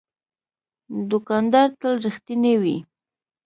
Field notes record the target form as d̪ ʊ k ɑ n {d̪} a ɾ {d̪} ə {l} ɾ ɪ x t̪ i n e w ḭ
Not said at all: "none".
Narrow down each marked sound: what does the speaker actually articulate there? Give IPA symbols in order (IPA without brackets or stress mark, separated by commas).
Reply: d̪, t̪, l